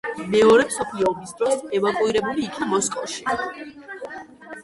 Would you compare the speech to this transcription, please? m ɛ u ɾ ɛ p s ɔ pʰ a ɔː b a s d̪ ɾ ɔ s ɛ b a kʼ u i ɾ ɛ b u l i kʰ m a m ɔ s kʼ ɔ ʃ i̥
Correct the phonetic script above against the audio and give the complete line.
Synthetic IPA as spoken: m ɛ ɔ ɾ ɛ p s ɔ pʰ i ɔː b i s d̪ ɾ ɔ s ɛ v a kʼ u i ɾ ɛ b u l iː kʰ n a m ɔ s kʼ ɔ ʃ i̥